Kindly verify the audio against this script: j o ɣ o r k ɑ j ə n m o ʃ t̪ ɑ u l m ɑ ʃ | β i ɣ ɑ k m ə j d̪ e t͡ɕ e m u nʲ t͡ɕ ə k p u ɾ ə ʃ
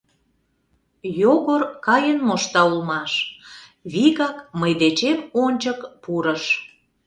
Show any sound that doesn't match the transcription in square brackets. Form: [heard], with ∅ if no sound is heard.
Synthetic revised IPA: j o ɣ o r k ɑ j ə n m o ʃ t̪ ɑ u l m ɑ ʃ | β i ɣ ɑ k m ə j d̪ e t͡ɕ e m [o] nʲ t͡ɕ ə k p u ɾ ə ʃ